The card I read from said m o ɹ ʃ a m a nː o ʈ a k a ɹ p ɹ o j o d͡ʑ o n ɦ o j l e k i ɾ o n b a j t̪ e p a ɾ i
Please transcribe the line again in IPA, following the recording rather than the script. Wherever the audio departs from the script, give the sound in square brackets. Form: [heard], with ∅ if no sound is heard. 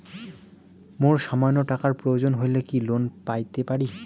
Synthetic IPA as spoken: m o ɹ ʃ a m a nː o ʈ a k a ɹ p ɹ o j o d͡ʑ o n ɦ o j l e k i [l] o n [p] a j t̪ e p a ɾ i

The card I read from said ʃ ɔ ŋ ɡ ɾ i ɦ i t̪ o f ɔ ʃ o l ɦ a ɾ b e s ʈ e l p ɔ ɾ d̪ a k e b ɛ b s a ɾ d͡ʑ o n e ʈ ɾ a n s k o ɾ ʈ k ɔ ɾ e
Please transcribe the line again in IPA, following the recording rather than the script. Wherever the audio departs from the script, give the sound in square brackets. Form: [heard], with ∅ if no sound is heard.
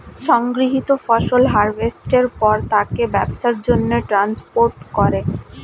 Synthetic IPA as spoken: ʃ ɔ ŋ ɡ ɾ i ɦ i t̪ o f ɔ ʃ o l ɦ a ɾ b e s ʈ e [ɾ] p ɔ ɾ [t̪] a k e b ɛ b [ʃ] a ɾ d͡ʑ o [nː] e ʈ ɾ a n s [p] o ɾ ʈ k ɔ ɾ e

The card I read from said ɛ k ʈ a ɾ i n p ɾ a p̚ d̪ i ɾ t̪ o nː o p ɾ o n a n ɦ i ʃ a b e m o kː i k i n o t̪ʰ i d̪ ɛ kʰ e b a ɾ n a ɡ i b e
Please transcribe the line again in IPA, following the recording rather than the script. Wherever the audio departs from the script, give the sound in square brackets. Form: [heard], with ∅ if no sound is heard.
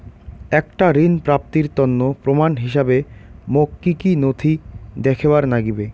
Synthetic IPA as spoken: ɛ k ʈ a ɾ i n p ɾ a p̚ [t̪] i ɾ t̪ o nː o p ɾ o [m] a n ɦ i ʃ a b e m o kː i k i n o t̪ʰ i d̪ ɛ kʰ e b a ɾ n a ɡ i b e

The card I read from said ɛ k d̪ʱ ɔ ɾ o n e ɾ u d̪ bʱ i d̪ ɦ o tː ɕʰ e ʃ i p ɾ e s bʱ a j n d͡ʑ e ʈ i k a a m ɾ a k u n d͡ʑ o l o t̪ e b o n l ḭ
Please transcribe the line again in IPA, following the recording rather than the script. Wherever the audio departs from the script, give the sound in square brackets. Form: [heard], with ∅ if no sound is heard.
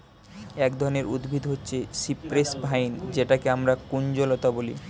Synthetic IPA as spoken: ɛ k d̪ʱ ɔ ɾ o n e ɾ u d̪ bʱ i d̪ ɦ o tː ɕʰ e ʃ i p ɾ e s bʱ a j n d͡ʑ e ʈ [a] k [e] a m ɾ a k u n d͡ʑ o l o t̪ [a] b o [∅] l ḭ

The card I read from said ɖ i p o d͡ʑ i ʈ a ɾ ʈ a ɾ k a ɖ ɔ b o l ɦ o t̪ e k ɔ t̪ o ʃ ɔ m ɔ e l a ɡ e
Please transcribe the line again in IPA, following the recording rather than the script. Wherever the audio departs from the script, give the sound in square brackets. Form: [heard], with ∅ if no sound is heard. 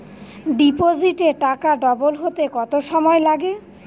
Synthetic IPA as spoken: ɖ i p o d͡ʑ i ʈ [e] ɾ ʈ a [∅] k a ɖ ɔ b o l ɦ o t̪ e k ɔ t̪ o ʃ ɔ m ɔ e l a ɡ e

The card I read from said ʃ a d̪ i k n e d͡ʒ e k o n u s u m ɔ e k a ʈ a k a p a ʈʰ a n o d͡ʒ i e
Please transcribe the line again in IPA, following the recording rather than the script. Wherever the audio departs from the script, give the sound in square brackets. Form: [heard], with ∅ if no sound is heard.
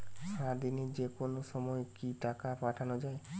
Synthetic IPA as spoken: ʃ a d̪ i [∅] n e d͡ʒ e k o n [o] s [ɔ] m ɔ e k [i] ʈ a k a p a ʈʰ a n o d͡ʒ [a] e

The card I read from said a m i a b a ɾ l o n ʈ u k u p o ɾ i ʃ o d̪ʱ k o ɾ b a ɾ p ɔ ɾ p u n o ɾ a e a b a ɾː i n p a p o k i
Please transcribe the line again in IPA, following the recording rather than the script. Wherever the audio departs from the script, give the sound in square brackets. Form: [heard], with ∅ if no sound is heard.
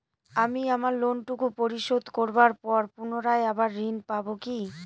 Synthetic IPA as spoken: a m i a [m] a ɾ l o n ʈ u k u p o ɾ i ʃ o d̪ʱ k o ɾ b a ɾ p ɔ ɾ p u n o ɾ a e a b a ɾː i n p a [b] o k i

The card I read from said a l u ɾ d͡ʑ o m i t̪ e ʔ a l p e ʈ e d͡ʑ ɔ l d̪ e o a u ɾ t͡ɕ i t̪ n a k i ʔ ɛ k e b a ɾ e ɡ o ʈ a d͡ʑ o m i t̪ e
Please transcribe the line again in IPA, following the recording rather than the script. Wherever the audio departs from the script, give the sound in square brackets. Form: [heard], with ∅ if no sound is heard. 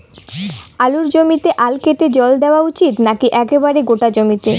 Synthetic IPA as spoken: a l u ɾ d͡ʑ o m i t̪ e ʔ a l [k] e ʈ e d͡ʑ ɔ l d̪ e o a u [∅] t͡ɕ i t̪ n a k i ʔ ɛ k e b a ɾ e ɡ o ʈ a d͡ʑ o m i t̪ e

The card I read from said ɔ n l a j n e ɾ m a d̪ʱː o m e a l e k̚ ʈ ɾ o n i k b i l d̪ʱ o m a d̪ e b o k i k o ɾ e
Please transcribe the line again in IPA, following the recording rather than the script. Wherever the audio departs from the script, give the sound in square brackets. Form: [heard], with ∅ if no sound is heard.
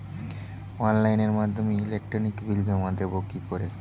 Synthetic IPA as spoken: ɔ n l a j n e ɾ m a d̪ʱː o m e [i] l e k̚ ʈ ɾ o n i k b i l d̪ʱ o m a d̪ e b o k i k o ɾ e

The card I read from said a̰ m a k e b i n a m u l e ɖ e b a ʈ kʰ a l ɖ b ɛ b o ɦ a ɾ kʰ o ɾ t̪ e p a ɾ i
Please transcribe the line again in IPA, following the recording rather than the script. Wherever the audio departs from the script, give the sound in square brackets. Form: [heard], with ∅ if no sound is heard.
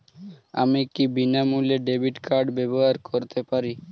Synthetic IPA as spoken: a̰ m [i] k [i] b i n a m u l e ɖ e b [i] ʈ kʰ a [ɾ] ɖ b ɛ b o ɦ a ɾ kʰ o ɾ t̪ e p a ɾ i

